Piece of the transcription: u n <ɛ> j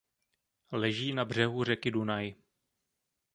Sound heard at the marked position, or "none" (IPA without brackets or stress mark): a